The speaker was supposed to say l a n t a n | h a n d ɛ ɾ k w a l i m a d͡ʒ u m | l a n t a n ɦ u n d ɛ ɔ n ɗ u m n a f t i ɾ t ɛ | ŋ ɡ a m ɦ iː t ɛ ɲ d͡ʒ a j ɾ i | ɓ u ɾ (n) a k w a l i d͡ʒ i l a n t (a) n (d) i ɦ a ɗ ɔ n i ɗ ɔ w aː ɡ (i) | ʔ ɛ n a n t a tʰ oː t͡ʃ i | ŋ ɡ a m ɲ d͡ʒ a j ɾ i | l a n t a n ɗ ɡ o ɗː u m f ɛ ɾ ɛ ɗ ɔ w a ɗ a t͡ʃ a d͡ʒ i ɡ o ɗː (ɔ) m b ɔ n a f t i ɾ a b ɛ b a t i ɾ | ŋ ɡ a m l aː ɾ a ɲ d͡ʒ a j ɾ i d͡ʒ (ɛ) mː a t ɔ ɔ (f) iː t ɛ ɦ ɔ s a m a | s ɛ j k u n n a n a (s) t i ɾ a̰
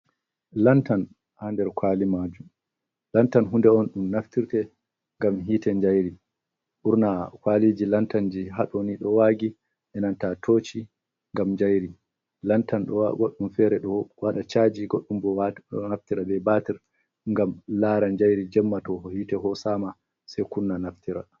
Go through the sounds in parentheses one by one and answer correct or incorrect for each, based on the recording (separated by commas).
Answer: correct, correct, incorrect, correct, incorrect, correct, incorrect, incorrect